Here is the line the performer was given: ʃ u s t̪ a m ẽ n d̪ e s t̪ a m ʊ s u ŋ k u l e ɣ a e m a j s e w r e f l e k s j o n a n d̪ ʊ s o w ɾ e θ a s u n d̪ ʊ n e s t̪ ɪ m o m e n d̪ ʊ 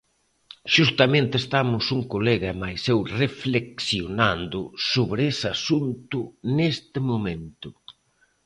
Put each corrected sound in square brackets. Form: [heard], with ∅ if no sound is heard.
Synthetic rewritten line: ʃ u s t̪ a m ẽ n [t̪] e s t̪ a m ʊ s u ŋ k [o] l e ɣ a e m a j s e w r e f l e k s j o n a n d̪ ʊ s o [β] ɾ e [s] a s u n [t̪] ʊ n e s t̪ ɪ m o m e n [t̪] ʊ

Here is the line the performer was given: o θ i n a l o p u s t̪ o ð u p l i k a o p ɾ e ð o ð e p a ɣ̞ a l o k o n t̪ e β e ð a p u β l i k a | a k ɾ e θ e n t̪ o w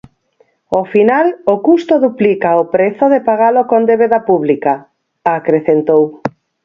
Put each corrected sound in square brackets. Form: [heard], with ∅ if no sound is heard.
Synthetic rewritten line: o [f] i n a l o [k] u s t̪ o ð u p l i k a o p ɾ e [θ] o ð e p a ɣ̞ a l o k o n [d̪] e β e ð a p u β l i k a | a k ɾ e θ e n t̪ o w

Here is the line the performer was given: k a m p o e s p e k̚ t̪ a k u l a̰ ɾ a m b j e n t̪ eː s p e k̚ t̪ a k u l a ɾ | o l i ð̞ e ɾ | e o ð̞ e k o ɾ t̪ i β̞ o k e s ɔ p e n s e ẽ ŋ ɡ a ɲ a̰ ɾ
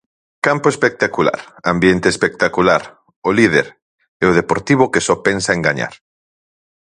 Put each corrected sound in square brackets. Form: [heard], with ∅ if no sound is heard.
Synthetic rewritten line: k a m p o e s p e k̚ t̪ a k u l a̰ ɾ a m b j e n t̪ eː s p e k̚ t̪ a k u l a ɾ | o l i ð̞ e ɾ | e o ð̞ e [p] o ɾ t̪ i β̞ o k e s ɔ p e n s [a] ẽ ŋ ɡ a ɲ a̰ ɾ

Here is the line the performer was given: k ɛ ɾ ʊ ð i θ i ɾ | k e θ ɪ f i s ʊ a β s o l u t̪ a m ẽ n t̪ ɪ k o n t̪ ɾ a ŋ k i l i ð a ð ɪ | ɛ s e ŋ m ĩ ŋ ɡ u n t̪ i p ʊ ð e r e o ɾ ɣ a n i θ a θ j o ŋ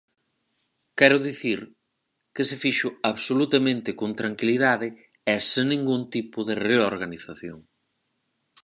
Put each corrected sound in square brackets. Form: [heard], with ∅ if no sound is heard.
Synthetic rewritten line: k ɛ ɾ ʊ ð i θ i ɾ | k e [s] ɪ f i [ʃ] ʊ a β s o l u t̪ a m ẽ n t̪ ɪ k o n t̪ ɾ a ŋ k i l i ð a ð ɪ | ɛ s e ŋ [n] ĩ ŋ ɡ u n t̪ i p ʊ ð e r e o ɾ ɣ a n i θ a θ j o ŋ

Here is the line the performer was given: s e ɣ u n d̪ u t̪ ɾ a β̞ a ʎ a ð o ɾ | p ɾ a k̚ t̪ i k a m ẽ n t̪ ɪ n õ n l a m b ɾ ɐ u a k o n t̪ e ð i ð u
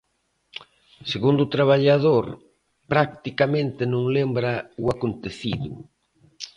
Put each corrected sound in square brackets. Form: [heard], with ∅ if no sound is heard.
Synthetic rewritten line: s e ɣ u n d̪ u t̪ ɾ a β̞ a ʎ a ð o ɾ | p ɾ a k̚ t̪ i k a m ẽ n t̪ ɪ n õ [ŋ] l [e] m b ɾ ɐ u a k o n t̪ e [θ] i ð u

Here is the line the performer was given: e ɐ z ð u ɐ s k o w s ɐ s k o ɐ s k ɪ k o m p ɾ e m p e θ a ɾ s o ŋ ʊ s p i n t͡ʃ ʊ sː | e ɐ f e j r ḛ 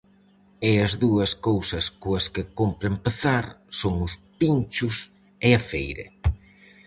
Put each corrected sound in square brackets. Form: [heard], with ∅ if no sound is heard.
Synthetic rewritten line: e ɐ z ð u ɐ s k o w s ɐ s k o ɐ s k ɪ k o m p ɾ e m p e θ a ɾ s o ŋ ʊ s p i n t͡ʃ ʊ [s] | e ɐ f e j [ɾ] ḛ

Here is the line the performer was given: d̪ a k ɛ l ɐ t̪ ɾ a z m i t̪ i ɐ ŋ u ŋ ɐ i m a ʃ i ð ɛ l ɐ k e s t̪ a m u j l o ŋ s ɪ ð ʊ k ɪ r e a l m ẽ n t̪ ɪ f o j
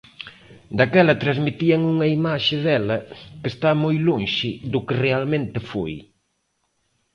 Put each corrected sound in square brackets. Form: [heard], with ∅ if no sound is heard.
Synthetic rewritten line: d̪ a k ɛ l ɐ t̪ ɾ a z m i t̪ i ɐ ŋ u ŋ ɐ i m a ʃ [ɪ] ð ɛ l ɐ k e s t̪ a m [o] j l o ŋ [ʃ] ɪ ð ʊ k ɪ r e a l m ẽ n t̪ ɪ f o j

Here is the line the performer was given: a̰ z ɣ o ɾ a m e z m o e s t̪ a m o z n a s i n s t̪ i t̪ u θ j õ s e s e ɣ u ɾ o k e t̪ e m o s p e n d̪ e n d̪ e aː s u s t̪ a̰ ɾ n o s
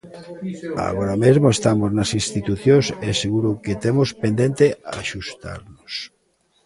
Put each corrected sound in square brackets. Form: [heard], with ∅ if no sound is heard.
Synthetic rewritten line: a̰ [∅] ɣ o ɾ a m e z m o e s t̪ a m o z n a s i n s t̪ i t̪ u θ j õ s e s e ɣ u ɾ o k e t̪ e m o s p e n d̪ e n [t̪] e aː [ʃ] u s t̪ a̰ ɾ n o s

